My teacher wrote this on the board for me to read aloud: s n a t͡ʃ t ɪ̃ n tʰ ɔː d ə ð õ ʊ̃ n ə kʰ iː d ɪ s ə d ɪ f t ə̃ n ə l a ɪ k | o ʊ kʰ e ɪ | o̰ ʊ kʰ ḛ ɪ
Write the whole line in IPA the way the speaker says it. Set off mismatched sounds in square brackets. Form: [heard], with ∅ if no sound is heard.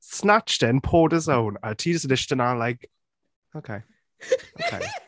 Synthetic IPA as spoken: s n a t͡ʃ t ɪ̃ n [pʰ] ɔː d ə [z] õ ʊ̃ n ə [tʰ] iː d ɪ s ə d ɪ [ʃ] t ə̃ n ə l a ɪ k | o ʊ kʰ e ɪ | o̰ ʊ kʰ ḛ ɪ